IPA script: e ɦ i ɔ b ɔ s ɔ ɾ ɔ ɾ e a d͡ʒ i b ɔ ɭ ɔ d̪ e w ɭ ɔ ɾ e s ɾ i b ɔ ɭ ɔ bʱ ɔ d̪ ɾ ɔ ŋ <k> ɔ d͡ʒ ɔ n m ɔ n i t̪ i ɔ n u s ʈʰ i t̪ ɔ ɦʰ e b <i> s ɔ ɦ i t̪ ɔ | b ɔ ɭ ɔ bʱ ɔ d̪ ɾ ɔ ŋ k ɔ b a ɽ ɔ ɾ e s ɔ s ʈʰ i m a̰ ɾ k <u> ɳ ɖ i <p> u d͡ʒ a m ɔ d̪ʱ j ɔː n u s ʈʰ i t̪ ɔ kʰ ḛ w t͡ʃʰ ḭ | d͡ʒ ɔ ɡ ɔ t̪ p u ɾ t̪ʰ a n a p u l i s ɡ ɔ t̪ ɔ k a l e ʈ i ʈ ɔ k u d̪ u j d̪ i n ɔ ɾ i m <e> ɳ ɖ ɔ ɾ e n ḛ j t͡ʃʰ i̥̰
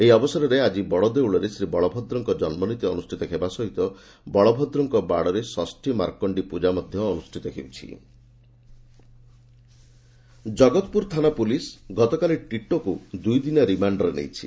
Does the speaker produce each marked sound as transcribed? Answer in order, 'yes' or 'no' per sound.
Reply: yes, no, no, yes, no

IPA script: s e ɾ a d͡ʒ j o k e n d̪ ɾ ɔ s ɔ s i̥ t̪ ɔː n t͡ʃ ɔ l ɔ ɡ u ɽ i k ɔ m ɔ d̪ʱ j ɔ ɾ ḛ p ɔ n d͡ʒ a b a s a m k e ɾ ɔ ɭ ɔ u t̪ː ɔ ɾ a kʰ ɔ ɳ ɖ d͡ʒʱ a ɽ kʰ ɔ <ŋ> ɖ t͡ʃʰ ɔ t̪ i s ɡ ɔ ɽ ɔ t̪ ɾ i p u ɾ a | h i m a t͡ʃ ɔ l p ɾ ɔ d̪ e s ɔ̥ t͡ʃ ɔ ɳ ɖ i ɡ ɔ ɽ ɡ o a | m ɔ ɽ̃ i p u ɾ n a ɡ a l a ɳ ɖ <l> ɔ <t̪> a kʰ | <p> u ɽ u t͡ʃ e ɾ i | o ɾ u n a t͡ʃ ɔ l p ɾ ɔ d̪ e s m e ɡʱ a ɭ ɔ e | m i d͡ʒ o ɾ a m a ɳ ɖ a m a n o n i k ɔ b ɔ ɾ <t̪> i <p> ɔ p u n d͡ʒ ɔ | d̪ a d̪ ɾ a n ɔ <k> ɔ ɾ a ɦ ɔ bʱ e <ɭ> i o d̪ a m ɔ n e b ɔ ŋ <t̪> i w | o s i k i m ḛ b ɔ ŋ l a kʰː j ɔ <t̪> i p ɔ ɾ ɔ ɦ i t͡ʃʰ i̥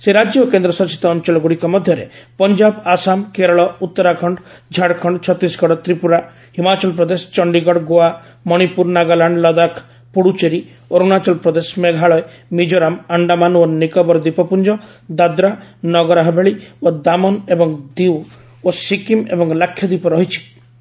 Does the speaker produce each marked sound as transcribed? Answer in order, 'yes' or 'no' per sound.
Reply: no, yes, no, yes, no, yes, no, yes, no, no

